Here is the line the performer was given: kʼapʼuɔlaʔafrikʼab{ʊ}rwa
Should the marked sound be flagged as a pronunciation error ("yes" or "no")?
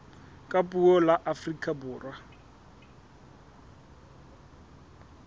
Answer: yes